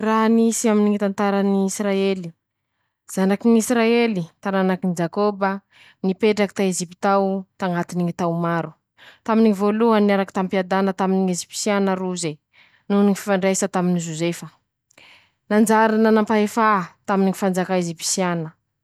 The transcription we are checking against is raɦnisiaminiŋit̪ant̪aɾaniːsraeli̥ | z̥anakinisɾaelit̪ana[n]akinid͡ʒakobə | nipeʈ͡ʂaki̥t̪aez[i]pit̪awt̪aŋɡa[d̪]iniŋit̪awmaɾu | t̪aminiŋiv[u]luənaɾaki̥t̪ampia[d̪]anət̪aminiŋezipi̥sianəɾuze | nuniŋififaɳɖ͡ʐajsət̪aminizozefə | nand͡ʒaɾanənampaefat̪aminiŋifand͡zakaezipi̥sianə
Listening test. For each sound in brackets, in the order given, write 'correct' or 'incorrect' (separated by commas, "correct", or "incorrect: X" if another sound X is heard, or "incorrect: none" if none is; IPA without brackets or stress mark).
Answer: correct, correct, incorrect: t̪, incorrect: o, correct